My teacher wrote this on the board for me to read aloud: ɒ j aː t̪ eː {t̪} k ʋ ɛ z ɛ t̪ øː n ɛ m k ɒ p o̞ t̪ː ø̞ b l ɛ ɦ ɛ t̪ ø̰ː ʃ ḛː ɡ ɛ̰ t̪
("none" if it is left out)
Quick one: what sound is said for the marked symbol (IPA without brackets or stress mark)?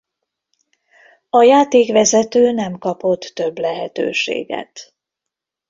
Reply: none